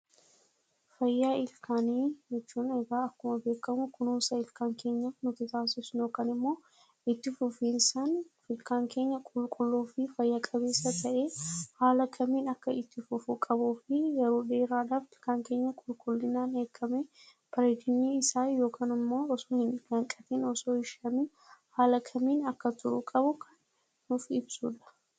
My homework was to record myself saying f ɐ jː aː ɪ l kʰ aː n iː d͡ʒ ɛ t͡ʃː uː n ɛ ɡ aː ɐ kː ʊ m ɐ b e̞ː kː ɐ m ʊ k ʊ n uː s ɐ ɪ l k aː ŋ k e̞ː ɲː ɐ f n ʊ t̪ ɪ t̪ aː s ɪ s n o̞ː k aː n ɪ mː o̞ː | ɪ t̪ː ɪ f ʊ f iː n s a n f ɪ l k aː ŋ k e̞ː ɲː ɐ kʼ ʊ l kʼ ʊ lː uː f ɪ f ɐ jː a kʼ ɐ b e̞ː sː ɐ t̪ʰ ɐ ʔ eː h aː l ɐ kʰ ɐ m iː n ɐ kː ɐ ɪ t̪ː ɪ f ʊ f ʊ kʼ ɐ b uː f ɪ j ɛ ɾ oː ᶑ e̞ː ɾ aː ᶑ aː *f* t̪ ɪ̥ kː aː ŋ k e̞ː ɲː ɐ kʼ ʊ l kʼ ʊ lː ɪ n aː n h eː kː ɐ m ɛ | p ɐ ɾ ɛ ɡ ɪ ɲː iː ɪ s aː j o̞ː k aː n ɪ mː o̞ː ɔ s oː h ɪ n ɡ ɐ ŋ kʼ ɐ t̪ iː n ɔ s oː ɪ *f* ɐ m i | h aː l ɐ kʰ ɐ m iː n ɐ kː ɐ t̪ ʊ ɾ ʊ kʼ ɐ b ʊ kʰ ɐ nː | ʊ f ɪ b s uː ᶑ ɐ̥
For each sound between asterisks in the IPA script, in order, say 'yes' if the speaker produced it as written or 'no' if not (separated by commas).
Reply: yes, no